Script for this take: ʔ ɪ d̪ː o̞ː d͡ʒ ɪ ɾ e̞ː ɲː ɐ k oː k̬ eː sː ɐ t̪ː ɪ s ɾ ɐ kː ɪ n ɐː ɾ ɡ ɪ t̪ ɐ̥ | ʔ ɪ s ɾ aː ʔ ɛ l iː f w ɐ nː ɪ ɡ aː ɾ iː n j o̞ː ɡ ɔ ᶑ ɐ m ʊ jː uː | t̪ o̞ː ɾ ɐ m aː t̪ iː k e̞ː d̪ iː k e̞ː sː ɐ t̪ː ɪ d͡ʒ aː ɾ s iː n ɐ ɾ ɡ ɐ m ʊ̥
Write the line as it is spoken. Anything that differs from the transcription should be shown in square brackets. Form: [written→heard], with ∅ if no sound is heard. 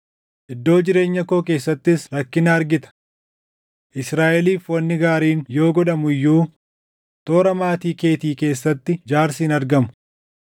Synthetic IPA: ʔ ɪ d̪ː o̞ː d͡ʒ ɪ ɾ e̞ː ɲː ɐ k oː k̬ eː sː ɐ t̪ː ɪ s ɾ ɐ kː ɪ n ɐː ɾ ɡ ɪ t̪ ɐ̥ | ʔ ɪ s ɾ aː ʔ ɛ l iː f w ɐ nː ɪ ɡ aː ɾ iː n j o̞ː ɡ ɔ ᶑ ɐ m ʊ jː uː | t̪ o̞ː ɾ ɐ m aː t̪ iː k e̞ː [d̪→t̪] iː k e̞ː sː ɐ t̪ː ɪ d͡ʒ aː ɾ s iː n ɐ ɾ ɡ ɐ m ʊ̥